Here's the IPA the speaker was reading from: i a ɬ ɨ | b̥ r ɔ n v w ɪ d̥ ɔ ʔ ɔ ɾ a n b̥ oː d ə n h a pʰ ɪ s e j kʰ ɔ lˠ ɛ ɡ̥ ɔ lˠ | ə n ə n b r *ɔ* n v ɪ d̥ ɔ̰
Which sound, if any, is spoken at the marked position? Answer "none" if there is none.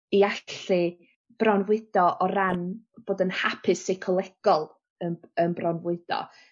ɔ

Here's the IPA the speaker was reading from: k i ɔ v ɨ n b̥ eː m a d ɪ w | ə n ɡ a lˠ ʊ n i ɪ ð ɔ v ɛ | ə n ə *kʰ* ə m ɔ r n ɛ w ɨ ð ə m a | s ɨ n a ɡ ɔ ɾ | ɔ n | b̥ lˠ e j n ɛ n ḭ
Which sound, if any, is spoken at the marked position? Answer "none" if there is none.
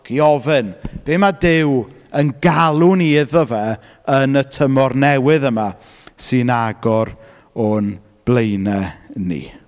tʰ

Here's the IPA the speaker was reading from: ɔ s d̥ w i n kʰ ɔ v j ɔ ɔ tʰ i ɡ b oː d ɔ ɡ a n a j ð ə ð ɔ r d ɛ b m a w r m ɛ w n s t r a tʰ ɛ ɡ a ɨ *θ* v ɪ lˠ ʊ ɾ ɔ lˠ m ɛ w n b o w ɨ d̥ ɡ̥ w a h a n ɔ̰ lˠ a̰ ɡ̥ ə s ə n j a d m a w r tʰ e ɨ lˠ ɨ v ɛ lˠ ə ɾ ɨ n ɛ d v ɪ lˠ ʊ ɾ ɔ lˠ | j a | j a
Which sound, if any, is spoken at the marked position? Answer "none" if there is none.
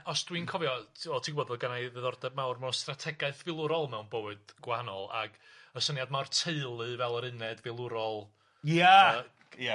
θ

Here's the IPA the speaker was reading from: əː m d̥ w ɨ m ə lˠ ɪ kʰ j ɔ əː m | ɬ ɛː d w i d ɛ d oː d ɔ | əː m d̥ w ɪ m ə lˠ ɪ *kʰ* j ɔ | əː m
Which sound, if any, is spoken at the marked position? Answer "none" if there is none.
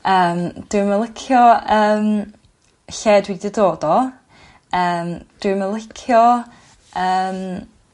kʰ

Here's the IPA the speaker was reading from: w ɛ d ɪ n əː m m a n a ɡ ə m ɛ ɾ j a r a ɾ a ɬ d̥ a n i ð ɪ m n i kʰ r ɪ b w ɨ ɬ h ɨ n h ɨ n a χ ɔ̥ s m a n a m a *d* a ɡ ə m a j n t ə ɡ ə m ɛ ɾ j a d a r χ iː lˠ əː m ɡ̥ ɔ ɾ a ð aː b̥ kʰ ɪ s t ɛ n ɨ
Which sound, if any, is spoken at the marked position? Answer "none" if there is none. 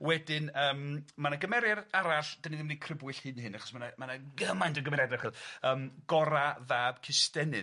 n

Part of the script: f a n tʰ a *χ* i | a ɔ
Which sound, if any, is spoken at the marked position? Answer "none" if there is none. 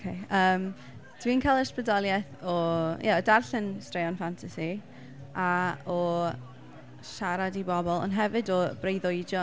s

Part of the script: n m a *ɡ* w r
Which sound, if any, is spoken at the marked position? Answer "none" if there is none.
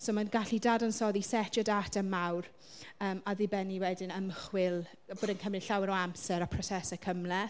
none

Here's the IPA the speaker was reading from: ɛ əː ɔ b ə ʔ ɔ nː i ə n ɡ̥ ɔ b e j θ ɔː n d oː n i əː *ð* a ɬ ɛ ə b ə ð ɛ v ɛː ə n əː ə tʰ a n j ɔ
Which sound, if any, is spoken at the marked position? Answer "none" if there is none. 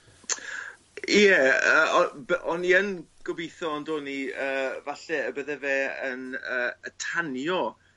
v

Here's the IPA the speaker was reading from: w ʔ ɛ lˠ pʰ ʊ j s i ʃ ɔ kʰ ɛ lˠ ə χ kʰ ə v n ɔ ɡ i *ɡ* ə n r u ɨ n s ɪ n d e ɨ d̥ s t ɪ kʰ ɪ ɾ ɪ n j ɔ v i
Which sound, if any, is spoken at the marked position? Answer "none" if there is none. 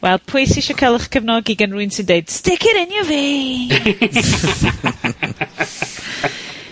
ɡ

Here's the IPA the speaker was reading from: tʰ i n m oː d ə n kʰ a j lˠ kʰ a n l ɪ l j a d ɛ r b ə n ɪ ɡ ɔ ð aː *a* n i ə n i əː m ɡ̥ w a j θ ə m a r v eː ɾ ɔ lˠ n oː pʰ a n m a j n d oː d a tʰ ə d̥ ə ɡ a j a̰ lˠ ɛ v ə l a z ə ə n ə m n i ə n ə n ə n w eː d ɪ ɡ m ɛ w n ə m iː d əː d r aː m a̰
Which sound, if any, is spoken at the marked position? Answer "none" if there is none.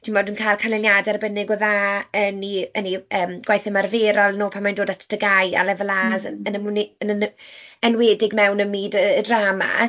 ə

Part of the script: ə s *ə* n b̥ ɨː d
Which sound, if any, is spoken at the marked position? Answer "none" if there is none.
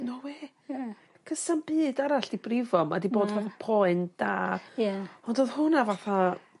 a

